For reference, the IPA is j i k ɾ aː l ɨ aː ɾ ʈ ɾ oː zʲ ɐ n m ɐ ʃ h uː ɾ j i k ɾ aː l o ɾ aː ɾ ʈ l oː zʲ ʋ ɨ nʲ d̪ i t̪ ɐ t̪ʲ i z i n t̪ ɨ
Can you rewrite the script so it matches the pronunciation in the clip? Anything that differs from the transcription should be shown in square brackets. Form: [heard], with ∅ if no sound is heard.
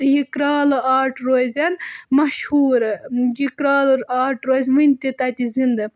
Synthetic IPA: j i k ɾ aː l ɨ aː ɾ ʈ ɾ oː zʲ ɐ n m ɐ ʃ h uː ɾ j i k ɾ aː l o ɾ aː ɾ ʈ [ɾ] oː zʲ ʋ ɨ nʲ [t̪] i t̪ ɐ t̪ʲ i z i n [d̪] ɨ